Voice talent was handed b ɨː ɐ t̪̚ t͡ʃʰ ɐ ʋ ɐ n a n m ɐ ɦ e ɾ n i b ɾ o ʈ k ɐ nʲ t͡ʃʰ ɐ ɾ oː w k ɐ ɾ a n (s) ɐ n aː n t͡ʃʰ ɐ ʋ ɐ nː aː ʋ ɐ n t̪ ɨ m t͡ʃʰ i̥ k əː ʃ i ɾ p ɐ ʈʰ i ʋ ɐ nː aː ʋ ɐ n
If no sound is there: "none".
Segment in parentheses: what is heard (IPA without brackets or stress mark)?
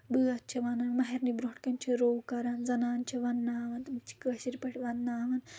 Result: z